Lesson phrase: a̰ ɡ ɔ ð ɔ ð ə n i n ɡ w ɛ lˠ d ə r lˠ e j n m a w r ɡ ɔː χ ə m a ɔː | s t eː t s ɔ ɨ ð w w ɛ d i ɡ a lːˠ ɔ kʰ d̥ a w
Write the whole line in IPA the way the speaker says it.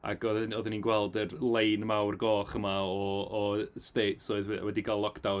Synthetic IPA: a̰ ɡ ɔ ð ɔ ð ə n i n ɡ w ɛ lˠ d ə r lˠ e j n m a w r ɡ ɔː χ ə m a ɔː | s t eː t s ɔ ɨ ð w w ɛ d i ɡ a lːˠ ɔ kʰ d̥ a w